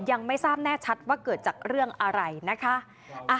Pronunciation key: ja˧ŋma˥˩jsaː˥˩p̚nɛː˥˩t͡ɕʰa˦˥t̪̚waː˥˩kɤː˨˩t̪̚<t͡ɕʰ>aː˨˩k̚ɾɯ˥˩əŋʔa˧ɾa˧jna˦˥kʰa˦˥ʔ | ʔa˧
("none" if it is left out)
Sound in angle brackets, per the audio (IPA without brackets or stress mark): t͡ɕ